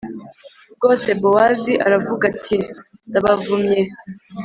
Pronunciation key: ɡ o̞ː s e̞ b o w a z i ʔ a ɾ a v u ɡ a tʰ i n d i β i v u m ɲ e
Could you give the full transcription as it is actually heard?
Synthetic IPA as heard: ɡ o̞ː s e̞ b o w a z i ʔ a ɾ a v u ɡ a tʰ i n d a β a v u m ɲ e